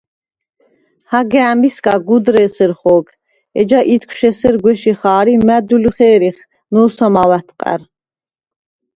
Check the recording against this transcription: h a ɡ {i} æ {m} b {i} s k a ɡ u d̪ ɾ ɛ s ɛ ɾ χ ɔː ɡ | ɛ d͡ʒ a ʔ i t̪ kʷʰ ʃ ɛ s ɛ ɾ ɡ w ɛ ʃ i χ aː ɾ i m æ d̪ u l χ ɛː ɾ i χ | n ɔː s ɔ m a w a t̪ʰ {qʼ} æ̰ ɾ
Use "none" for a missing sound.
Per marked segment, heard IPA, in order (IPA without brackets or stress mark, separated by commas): ɛ, m, i, qʼ